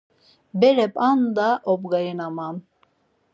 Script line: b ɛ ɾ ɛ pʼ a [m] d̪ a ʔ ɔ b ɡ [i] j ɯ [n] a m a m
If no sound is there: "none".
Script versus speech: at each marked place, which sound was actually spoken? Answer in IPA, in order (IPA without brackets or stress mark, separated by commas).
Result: n, a, n